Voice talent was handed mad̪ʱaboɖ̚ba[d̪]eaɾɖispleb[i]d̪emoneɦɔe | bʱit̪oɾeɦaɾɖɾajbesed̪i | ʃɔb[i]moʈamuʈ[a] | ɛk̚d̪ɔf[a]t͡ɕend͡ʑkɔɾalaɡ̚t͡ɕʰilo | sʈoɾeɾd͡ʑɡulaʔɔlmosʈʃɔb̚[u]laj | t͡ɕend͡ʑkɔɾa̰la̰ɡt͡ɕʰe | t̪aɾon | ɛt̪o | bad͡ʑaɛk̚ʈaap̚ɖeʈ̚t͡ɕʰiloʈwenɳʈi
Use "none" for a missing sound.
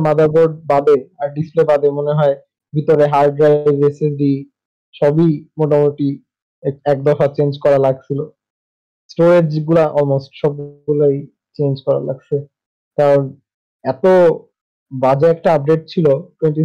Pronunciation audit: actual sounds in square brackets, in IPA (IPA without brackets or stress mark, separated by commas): d̪, a, i, i, a, u